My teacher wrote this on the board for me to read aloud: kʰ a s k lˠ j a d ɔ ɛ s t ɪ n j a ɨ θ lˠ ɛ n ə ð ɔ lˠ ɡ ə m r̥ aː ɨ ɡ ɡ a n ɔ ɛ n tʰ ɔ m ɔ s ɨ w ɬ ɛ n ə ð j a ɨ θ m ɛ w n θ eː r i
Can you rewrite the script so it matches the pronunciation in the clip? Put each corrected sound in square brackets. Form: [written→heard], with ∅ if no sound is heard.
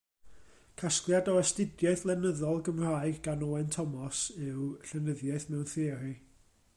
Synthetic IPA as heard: kʰ a s k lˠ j a d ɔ ɛ s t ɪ [n→d] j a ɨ θ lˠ ɛ n ə ð ɔ lˠ ɡ ə m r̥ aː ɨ ɡ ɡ a n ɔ ɛ n tʰ ɔ m ɔ s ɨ w ɬ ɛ n ə ð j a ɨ θ m ɛ w n θ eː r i